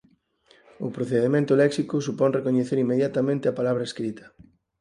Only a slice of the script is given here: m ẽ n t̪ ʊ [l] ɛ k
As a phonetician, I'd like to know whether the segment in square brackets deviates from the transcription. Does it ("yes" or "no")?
no